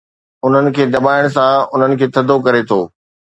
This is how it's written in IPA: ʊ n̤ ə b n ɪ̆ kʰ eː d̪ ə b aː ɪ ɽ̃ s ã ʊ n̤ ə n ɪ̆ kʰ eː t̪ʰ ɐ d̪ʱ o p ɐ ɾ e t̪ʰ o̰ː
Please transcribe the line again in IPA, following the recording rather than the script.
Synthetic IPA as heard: ʊ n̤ ə n ɪ̆ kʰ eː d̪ ɐ b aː ɪ ɽ̃ s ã ʊ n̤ ə n ɪ̆ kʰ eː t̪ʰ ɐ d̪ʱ o k ɐ ɾ e t̪ʰ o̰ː